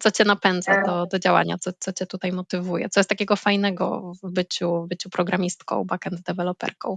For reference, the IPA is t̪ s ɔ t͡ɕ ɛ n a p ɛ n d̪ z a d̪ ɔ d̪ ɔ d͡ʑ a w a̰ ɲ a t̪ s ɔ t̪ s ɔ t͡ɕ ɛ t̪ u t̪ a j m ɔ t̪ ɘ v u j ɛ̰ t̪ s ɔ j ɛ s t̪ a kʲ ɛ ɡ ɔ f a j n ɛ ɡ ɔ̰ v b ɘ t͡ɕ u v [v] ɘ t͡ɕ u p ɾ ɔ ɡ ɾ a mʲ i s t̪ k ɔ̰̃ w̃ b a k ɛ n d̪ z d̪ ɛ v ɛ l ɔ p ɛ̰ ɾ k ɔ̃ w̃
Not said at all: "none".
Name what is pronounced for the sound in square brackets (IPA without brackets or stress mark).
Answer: b